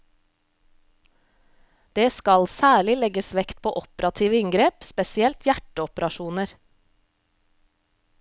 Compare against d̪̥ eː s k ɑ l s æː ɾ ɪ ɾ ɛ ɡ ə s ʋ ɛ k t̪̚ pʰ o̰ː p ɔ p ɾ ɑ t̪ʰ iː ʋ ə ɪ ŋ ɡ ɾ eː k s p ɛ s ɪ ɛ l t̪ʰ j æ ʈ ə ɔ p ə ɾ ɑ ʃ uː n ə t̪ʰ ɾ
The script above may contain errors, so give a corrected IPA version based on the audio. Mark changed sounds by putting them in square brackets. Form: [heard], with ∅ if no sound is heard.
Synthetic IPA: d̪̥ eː s k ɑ l s æː [ɭ] ɪ [l] ɛ ɡ ə s ʋ ɛ k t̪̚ pʰ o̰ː [ʔ] ɔ p ɾ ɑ t̪ʰ iː ʋ ə ɪ ŋ ɡ ɾ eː [p] s p ɛ s ɪ ɛ l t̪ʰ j æ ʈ ə ɔ p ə ɾ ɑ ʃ uː n ə [∅] ɾ